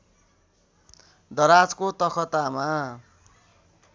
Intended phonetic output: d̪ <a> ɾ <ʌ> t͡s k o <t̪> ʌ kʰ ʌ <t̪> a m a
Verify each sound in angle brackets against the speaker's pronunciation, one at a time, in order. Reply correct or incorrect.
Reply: incorrect, incorrect, correct, correct

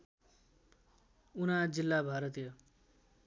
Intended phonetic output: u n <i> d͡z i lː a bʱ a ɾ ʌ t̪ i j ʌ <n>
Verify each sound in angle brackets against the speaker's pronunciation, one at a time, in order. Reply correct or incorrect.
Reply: incorrect, incorrect

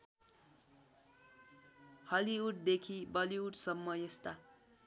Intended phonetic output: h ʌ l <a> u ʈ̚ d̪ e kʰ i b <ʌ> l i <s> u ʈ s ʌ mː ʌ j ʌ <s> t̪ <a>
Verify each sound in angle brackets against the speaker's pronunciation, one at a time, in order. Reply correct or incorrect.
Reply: incorrect, correct, incorrect, correct, correct

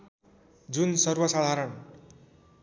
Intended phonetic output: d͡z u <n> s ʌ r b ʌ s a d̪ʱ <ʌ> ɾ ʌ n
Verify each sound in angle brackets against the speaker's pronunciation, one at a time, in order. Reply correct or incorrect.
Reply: correct, incorrect

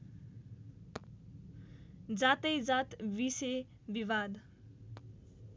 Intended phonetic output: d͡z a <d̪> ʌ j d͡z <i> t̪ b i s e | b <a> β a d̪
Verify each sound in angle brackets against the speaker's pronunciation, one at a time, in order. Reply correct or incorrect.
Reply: incorrect, incorrect, incorrect

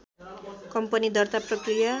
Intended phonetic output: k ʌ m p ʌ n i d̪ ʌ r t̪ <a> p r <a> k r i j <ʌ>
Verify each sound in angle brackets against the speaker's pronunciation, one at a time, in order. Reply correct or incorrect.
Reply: correct, incorrect, incorrect

